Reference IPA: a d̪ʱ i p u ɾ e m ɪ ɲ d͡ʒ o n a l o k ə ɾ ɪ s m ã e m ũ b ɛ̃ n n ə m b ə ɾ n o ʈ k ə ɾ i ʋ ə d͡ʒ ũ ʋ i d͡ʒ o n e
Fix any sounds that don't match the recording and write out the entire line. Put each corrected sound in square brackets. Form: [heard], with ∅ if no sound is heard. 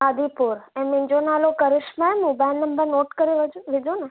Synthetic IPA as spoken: a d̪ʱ i p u ɾ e m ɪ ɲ d͡ʒ o n a l o k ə ɾ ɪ [ʃ] m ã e m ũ b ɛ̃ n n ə m b ə ɾ n o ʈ k ə ɾ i ʋ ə d͡ʒ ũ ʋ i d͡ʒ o n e